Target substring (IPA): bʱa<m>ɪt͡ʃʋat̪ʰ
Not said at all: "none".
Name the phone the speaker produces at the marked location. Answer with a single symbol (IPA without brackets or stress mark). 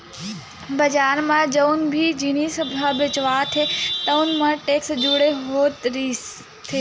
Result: b